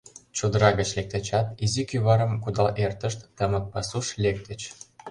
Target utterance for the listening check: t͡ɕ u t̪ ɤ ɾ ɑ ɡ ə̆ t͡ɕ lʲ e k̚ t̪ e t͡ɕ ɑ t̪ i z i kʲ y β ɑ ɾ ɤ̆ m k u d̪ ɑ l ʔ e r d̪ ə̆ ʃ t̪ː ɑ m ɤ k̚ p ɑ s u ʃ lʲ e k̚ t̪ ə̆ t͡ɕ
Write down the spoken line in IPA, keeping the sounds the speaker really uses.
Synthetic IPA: t͡ɕ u d̪ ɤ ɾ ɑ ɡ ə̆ t͡ɕ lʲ e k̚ t̪ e t͡ɕ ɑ t̪ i z i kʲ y β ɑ ɾ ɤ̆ m k u d̪ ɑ l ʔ e r t̪ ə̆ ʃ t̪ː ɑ m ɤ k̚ p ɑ s u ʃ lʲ e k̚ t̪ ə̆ t͡ɕ